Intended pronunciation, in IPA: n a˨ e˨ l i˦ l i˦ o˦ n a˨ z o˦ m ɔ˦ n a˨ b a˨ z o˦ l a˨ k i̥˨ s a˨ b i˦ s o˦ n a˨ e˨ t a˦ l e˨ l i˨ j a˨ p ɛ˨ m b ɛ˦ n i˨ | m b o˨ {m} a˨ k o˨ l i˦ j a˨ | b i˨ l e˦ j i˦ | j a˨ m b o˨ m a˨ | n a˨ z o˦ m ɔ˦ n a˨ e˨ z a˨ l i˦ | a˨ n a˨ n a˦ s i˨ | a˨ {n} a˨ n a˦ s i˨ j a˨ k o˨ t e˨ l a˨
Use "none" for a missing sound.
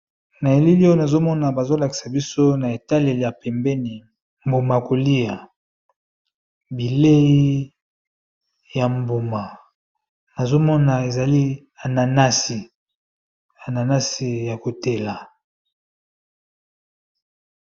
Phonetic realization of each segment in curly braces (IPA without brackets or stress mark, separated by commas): m, n